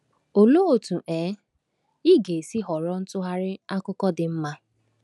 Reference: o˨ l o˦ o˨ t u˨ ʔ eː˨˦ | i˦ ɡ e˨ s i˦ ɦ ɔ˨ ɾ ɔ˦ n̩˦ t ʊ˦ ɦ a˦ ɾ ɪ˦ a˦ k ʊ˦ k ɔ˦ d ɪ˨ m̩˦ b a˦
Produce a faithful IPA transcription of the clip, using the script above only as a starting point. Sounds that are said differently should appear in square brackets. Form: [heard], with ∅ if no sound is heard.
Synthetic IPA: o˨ l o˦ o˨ t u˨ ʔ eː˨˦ | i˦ ɡ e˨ s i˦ ɦ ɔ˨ ɾ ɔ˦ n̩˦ t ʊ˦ ɦ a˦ ɾ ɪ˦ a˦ k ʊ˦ k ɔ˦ d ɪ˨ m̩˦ [m] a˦